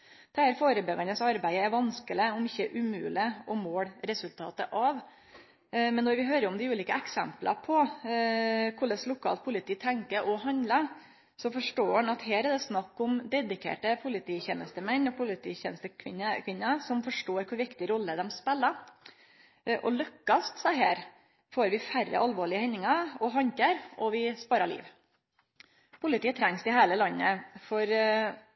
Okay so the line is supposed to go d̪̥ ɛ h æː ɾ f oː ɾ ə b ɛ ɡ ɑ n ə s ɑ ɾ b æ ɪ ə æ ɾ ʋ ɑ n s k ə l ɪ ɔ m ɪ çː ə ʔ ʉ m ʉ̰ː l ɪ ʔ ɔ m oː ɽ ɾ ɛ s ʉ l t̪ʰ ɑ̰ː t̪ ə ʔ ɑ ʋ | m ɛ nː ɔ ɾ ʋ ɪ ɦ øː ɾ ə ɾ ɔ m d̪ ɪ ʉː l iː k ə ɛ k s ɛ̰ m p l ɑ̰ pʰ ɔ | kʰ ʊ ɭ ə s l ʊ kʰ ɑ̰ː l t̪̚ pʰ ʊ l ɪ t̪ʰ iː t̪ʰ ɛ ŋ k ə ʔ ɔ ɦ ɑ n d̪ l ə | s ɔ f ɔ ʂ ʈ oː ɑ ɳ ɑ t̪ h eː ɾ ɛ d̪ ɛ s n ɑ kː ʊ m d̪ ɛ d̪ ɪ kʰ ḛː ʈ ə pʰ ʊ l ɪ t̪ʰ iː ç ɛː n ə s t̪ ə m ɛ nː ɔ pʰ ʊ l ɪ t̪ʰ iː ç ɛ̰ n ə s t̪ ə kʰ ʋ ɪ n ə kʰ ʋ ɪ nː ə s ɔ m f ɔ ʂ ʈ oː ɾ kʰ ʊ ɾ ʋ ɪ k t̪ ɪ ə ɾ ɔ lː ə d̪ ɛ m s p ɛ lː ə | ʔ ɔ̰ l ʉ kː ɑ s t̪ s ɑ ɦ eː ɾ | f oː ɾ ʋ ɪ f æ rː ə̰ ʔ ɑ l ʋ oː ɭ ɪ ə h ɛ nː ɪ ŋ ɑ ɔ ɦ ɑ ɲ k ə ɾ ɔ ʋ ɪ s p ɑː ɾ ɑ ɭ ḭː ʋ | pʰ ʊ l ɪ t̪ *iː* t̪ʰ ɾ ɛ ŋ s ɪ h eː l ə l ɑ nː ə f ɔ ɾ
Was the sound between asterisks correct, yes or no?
yes